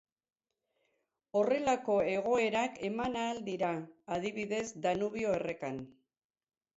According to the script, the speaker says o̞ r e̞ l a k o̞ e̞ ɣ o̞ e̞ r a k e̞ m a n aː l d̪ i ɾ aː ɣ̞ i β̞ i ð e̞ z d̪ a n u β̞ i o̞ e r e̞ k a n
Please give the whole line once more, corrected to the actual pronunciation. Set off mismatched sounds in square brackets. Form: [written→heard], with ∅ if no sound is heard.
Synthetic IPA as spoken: o̞ r e̞ l a k o̞ e̞ ɣ o̞ e̞ [r→ɾ] a k e̞ m a n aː l d̪ i ɾ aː [ɣ̞→ð̞] i β̞ i ð e̞ z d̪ a n u β̞ i o̞ e r e̞ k a n

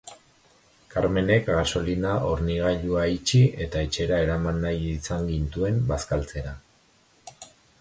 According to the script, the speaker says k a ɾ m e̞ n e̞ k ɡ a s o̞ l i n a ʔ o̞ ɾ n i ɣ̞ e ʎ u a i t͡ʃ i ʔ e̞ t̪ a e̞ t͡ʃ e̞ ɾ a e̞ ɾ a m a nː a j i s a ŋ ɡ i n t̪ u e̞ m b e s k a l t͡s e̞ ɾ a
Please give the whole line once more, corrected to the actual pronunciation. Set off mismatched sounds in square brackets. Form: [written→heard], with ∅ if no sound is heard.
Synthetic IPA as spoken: k a ɾ m e̞ n e̞ k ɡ a s o̞ l i n a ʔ o̞ ɾ n i ɣ̞ [e→a] ʎ u a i t͡ʃ i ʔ e̞ t̪ a e̞ t͡ʃ e̞ ɾ a e̞ ɾ a m a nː a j i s a ŋ ɡ i n t̪ u e̞ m b [e→a] s k a l t͡s e̞ ɾ a

